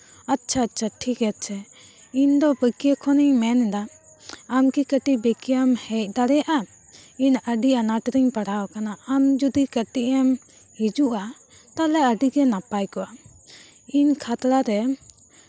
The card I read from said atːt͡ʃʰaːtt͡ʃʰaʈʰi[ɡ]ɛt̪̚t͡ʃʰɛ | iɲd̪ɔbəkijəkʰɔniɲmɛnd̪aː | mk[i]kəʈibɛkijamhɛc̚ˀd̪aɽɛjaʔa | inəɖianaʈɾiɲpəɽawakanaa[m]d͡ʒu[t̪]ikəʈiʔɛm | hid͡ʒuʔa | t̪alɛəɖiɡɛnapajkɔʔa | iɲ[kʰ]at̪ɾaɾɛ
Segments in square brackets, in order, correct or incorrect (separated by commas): incorrect, correct, correct, incorrect, correct